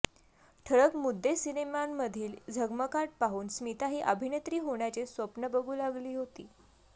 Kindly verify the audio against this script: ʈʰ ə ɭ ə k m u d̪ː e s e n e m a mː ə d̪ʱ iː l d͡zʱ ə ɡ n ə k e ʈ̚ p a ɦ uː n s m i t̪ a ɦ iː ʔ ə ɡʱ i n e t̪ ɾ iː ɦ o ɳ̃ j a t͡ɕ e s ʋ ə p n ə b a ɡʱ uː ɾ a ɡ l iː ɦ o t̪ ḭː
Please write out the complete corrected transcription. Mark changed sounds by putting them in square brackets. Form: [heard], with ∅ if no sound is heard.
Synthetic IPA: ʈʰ ə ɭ ə k m u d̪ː e s [i] n e m a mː ə d̪ʱ iː l d͡zʱ ə ɡ [m] ə k [a] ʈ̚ p a ɦ uː n s m i t̪ a ɦ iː ʔ ə [bʱ] i n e t̪ ɾ iː ɦ o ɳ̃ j a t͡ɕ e s ʋ ə p n ə b [ə] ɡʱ uː [l] a ɡ l iː ɦ o t̪ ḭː

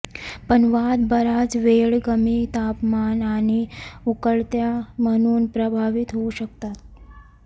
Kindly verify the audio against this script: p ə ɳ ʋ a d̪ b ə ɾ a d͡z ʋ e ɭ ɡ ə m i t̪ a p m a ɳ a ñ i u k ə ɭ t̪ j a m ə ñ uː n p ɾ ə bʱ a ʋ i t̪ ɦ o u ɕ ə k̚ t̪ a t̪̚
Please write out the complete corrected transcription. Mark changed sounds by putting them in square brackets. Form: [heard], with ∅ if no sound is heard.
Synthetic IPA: p ə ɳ ʋ a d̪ b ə ɾ a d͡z ʋ e ɭ ɡ ə m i t̪ a p m a [n] a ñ i u k ə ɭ t̪ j a m ə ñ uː n p ɾ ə bʱ a ʋ i t̪ ɦ o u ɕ ə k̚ t̪ a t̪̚

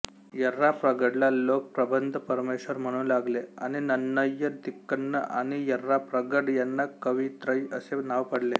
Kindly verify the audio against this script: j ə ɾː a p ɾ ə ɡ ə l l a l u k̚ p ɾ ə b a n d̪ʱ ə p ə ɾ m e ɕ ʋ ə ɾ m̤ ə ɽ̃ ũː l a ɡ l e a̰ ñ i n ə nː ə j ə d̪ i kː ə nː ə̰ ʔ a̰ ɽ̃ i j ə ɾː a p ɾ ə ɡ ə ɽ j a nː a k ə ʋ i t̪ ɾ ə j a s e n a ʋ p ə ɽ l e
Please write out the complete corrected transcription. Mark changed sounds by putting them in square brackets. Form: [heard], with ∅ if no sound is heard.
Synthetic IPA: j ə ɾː a p ɾ ə ɡ ə [ɽ] l a l [o] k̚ p ɾ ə b [ə] n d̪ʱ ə p ə ɾ m e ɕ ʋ ə ɾ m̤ ə ɽ̃ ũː l a ɡ l e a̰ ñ i n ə nː ə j ə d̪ i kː ə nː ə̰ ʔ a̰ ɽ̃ i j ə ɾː a p ɾ ə ɡ ə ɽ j a nː a k ə ʋ i t̪ ɾ ə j [ə] s e n a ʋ p ə ɽ l e

